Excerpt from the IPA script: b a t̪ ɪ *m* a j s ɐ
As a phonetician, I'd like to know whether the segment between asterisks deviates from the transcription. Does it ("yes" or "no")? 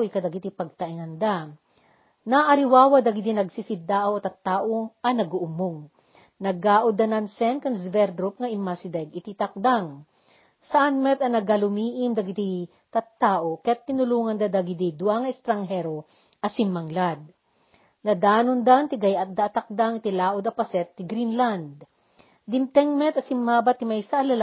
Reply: no